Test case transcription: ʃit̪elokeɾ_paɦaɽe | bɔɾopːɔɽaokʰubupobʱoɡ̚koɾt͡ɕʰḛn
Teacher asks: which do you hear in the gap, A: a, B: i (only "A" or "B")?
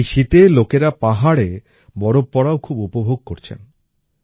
A